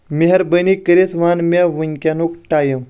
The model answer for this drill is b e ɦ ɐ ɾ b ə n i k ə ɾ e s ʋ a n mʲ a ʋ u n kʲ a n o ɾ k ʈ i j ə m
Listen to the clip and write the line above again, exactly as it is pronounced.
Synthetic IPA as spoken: m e ɦ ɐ ɾ b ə n i k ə ɾ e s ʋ a n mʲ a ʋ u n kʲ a n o k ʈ a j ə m